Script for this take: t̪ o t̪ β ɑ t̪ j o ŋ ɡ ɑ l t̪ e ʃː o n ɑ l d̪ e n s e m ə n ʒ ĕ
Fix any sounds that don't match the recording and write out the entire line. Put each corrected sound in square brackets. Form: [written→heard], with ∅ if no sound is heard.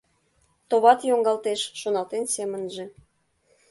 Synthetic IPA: t̪ o [t̪→∅] β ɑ t̪ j o ŋ ɡ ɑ l t̪ e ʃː o n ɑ l [d̪→t̪] e n s e m ə n ʒ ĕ